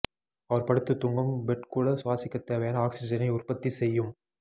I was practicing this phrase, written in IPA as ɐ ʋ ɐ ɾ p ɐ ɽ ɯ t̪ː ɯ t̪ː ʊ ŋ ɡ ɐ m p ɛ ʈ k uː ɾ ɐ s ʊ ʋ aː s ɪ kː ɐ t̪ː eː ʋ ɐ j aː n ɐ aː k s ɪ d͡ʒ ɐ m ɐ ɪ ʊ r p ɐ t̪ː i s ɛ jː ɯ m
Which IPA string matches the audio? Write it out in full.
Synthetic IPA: ɐ ʋ ɐ ɾ p ɐ ɽ ɯ t̪ː ɯ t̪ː ʊ ŋ ɡ ɐ m b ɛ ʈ k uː ɽ ɐ s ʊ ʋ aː s ɪ kː ɐ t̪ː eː ʋ ɐ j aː n ɐ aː k s ɪ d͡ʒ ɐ n ɐ ɪ ʊ r p ɐ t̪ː i s ɛ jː ɯ m